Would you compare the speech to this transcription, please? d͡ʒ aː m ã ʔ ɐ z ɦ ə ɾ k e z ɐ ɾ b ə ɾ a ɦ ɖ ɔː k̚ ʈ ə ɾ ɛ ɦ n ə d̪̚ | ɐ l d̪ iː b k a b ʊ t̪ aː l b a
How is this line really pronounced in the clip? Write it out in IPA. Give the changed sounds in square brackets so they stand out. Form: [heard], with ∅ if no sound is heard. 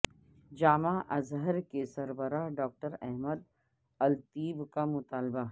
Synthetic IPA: d͡ʒ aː m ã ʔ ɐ z ɦ ə ɾ k e [s] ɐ ɾ b ə ɾ a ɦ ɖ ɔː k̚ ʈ ə ɾ ɛ ɦ [m] ə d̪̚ | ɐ l [t̪] iː b k a [m] ʊ t̪ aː l b a